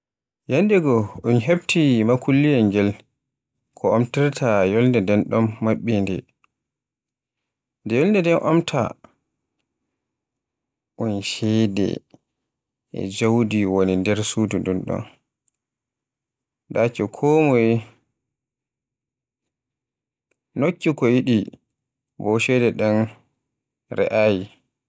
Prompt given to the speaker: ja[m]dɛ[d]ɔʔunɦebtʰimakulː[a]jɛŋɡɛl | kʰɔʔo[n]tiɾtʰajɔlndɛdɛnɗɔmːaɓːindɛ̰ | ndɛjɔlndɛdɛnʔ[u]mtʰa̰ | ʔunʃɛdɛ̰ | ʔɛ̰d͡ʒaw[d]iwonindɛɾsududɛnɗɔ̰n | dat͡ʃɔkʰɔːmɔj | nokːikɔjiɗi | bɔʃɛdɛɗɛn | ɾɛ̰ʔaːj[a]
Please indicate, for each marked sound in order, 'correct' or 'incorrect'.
incorrect, incorrect, incorrect, incorrect, incorrect, correct, incorrect

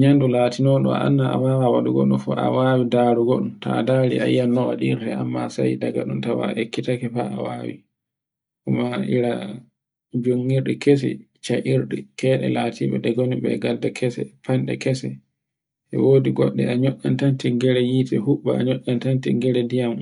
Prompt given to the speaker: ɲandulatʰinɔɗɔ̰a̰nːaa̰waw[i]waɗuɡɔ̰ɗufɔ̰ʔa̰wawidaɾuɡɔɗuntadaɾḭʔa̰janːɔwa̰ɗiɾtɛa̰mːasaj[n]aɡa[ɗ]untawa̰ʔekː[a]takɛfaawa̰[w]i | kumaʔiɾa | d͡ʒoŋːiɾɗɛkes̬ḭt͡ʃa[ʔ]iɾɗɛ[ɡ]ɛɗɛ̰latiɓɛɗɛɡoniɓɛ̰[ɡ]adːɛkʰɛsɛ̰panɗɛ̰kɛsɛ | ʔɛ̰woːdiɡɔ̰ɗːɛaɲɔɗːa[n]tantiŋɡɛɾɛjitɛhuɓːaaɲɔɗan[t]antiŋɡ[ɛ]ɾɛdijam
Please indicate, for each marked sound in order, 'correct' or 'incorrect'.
incorrect, incorrect, correct, incorrect, correct, correct, incorrect, correct, correct, correct, correct

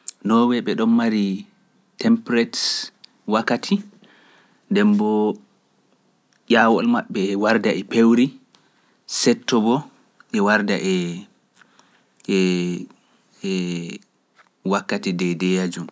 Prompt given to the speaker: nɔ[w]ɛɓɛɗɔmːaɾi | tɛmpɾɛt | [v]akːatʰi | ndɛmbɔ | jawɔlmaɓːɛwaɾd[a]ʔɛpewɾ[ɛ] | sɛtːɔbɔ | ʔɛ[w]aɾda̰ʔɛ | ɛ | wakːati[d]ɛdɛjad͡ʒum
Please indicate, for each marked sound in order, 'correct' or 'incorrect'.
correct, incorrect, correct, incorrect, correct, correct

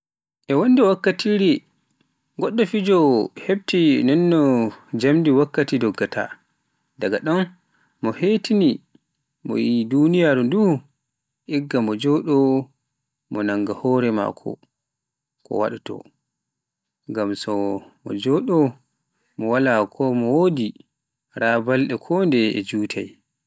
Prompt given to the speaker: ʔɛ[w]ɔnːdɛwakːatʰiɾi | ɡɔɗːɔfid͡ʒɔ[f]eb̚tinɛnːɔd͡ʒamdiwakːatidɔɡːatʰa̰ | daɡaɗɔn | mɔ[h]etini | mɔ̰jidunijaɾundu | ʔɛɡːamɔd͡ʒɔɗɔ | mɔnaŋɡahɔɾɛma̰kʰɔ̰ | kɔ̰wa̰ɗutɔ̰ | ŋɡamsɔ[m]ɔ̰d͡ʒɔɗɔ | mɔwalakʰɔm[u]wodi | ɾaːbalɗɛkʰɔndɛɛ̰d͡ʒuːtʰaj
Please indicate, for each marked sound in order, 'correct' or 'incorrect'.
correct, incorrect, correct, correct, incorrect

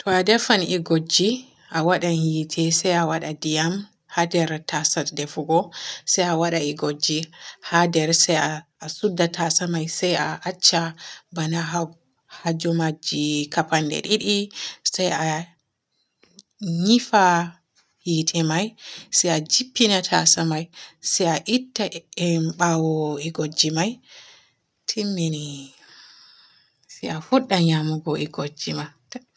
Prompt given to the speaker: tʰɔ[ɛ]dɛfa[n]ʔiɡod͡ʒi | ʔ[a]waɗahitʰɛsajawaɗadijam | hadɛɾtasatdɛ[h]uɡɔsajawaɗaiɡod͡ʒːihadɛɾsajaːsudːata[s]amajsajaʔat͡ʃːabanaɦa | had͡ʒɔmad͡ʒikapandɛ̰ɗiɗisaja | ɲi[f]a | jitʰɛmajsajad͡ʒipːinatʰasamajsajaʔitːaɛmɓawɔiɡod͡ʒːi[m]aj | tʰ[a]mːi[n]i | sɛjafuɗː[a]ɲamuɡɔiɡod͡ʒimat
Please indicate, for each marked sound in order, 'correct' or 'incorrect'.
incorrect, correct, correct, incorrect, correct, correct, correct, incorrect, correct, correct

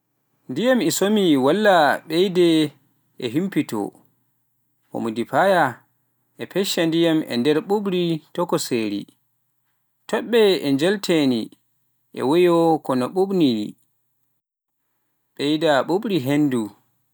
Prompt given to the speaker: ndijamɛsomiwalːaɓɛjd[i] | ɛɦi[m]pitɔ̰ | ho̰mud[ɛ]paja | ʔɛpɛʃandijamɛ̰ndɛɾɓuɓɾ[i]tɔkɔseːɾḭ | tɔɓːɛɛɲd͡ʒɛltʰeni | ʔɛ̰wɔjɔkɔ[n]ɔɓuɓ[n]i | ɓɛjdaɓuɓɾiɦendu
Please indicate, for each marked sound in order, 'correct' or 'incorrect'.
incorrect, correct, incorrect, correct, correct, correct

